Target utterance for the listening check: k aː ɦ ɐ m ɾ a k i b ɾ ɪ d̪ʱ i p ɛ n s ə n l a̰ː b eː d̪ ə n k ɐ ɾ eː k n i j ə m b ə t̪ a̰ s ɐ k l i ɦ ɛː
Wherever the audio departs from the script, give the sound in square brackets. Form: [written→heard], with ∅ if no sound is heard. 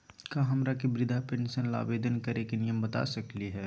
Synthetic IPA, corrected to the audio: k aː ɦ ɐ m ɾ a k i b ɾ ɪ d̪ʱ [i→a] p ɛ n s ə n l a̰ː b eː d̪ ə n k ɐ ɾ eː k n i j ə m b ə t̪ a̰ s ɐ k l i ɦ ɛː